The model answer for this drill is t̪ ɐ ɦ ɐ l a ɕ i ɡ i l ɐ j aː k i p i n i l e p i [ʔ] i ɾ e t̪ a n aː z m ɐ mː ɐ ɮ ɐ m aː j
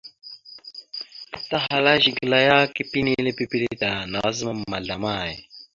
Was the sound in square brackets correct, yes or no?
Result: no